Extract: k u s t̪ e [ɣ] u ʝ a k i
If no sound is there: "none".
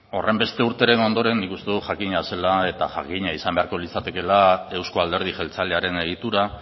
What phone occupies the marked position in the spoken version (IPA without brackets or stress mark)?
ð